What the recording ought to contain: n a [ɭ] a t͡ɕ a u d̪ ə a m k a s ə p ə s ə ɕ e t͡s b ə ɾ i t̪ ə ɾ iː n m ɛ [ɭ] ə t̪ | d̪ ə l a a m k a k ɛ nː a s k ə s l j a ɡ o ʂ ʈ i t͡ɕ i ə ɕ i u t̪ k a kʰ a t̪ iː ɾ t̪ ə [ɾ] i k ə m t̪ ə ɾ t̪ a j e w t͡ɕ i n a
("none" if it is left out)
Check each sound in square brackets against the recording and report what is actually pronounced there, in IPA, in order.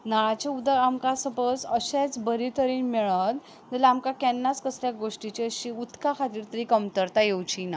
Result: ɭ, ɭ, ɾ

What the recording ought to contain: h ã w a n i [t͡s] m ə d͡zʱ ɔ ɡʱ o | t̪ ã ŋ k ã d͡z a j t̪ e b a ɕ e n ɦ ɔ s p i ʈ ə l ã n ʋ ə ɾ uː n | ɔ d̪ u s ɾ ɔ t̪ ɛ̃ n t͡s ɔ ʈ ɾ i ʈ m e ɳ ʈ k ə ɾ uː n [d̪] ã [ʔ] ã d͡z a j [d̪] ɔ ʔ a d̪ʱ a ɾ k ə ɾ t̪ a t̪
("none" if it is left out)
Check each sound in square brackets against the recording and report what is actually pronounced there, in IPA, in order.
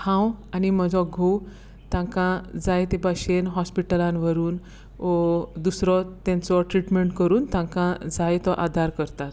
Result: none, t̪, k, t̪

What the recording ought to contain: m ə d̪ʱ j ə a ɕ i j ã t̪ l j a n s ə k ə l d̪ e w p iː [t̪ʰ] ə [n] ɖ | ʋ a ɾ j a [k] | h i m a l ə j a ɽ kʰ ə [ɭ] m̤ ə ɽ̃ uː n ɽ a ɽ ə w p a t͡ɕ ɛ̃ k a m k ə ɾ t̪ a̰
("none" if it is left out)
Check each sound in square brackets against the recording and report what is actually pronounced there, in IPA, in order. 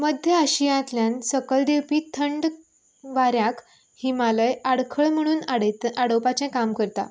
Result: t̪ʰ, ɳ, k, ɭ

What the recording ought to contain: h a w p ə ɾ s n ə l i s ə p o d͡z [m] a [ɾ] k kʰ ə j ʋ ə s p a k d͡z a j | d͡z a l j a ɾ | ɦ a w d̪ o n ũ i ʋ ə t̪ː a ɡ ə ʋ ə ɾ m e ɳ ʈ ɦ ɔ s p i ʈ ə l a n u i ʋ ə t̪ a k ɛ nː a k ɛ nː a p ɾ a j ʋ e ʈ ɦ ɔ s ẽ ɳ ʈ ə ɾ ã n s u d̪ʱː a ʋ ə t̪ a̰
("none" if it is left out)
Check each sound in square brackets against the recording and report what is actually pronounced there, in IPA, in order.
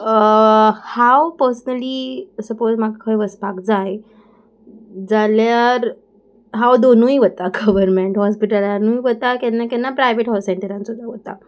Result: m, none

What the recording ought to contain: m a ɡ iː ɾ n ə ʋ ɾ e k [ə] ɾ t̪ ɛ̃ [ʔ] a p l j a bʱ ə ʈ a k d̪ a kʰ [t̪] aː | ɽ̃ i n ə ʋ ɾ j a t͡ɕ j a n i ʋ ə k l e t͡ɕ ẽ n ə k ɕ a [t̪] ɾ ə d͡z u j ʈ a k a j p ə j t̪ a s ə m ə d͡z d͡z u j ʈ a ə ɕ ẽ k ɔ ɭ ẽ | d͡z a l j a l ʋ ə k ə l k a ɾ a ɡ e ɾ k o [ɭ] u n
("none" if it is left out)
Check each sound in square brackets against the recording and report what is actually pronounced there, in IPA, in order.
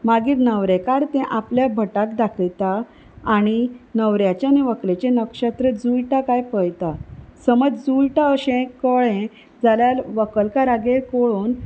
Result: a, ʔ, t̪, t̪, ɭ

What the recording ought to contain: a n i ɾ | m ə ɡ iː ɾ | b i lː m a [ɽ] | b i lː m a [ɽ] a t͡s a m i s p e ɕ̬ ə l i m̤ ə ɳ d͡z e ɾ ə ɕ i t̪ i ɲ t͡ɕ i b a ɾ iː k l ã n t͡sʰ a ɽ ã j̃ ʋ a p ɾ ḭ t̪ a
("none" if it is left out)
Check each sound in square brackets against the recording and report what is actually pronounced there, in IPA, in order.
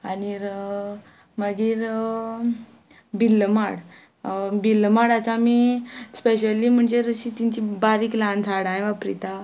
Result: ɽ, ɽ

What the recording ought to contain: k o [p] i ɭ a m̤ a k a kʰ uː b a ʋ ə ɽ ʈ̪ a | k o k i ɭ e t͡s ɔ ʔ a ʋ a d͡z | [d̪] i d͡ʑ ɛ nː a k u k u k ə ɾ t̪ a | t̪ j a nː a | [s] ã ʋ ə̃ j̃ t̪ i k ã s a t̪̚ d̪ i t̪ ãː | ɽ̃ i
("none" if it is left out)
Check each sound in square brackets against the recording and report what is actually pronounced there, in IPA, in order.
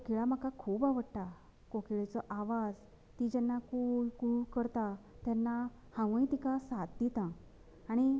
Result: k, t̪, h

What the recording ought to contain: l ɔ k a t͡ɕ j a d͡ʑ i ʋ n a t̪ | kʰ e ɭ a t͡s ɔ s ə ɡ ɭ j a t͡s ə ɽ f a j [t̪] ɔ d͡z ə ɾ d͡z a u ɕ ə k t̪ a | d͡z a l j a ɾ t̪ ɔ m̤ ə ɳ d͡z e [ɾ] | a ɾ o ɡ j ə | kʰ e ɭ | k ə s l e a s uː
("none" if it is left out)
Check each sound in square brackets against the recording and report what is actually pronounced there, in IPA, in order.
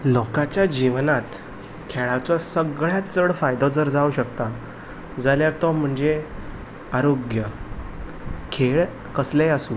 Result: d̪, none

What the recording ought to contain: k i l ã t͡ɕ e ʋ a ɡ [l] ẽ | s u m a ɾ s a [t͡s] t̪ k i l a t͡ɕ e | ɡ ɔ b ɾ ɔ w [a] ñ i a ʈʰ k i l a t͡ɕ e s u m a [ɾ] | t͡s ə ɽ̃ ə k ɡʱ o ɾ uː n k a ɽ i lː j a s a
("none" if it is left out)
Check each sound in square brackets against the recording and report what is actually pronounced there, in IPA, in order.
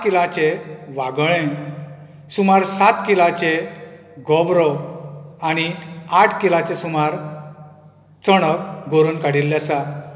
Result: ɭ, none, a, ɾ

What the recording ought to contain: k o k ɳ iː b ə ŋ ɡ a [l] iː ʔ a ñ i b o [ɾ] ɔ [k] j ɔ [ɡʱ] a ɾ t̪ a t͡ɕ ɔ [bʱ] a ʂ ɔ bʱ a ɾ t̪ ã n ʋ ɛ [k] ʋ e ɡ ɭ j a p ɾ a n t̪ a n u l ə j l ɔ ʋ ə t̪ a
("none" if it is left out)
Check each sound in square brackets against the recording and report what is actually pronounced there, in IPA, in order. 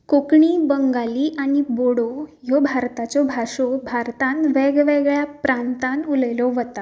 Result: l, ɽ, none, bʱ, bʱ, ɡ

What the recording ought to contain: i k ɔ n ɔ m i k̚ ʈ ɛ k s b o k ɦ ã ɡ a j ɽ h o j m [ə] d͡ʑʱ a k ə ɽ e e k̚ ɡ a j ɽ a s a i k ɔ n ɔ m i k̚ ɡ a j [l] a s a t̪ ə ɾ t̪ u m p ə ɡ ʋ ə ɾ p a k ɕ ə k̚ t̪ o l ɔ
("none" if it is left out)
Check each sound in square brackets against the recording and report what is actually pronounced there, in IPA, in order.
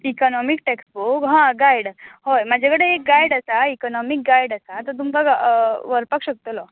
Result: a, ɽ

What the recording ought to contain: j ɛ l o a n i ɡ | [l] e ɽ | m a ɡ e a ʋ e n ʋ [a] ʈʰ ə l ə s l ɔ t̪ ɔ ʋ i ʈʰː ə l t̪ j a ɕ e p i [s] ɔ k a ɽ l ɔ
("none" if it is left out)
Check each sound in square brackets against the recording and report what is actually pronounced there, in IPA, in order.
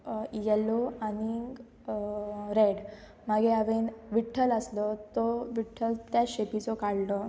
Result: ɾ, i, t͡s

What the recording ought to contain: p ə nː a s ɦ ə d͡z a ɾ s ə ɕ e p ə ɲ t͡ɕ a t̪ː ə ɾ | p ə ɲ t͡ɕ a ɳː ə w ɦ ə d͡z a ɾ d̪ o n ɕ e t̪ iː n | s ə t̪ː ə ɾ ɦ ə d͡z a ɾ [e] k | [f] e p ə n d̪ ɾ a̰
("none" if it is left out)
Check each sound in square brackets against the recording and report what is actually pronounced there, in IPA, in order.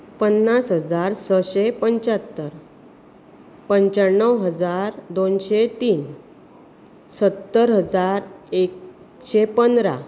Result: e, ɕ

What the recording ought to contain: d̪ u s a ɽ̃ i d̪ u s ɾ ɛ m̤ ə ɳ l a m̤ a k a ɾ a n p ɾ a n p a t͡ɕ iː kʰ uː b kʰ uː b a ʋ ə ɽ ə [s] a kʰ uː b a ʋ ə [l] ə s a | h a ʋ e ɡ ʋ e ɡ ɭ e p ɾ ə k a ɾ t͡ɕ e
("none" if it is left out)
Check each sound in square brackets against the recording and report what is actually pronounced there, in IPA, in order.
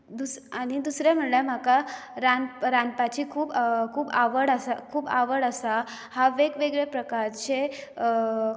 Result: s, ɽ

